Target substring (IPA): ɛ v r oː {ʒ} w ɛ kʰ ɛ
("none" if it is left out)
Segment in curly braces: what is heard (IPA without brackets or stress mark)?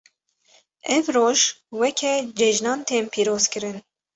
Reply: ʒ